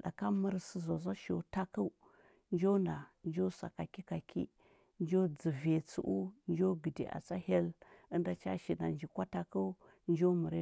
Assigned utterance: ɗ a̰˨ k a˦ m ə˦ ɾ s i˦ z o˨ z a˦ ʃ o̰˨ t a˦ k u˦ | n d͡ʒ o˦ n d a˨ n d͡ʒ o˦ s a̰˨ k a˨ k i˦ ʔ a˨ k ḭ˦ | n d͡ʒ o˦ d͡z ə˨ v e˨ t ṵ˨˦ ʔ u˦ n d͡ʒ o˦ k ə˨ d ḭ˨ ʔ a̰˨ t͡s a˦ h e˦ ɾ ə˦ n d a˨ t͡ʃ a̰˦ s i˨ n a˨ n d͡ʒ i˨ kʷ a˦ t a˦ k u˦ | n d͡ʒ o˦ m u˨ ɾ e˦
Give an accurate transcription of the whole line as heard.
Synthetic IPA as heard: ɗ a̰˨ k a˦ m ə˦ ɾ s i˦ z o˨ z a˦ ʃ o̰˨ t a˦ k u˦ | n d͡ʒ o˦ n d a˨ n d͡ʒ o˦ s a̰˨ k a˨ k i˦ k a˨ k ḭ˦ | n d͡ʒ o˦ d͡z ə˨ v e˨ t͡s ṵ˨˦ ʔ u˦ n d͡ʒ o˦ ɡ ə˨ d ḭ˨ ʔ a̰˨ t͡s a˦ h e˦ l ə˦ n d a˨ t͡ʃ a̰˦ ʃ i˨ n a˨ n d͡ʒ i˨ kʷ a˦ t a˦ k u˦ | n d͡ʒ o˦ m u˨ ɾ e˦